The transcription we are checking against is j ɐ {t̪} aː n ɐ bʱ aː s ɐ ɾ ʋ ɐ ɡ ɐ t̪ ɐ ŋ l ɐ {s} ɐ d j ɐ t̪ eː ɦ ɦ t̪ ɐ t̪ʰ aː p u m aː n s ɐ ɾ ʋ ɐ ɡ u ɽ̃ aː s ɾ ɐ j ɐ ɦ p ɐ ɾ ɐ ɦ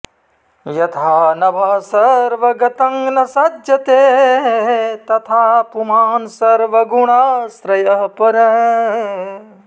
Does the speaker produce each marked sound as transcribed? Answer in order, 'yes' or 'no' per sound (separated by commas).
no, yes